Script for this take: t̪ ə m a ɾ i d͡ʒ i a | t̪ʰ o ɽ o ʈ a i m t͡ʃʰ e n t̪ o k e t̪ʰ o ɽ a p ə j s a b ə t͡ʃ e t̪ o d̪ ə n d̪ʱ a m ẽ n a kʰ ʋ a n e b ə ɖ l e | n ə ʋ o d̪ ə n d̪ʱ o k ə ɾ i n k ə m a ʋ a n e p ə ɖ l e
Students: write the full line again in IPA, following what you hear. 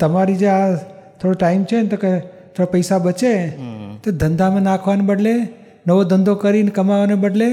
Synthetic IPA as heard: t̪ ə m a ɾ i d͡ʒ e a | t̪ʰ o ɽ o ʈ a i m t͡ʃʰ e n t̪ o k e t̪ʰ o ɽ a p ə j s a b ə t͡ʃ e t̪ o d̪ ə n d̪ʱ a m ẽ n a kʰ ʋ a n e b ə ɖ l e | n ə ʋ o d̪ ə n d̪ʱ o k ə ɾ i n k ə m a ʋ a n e b ə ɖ l e